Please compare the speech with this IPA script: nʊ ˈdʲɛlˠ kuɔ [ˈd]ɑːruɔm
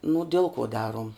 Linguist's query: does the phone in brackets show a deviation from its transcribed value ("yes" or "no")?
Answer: no